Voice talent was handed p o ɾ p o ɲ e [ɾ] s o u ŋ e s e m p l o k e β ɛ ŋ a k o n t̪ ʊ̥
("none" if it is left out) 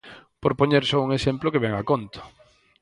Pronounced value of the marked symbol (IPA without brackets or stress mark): ɾ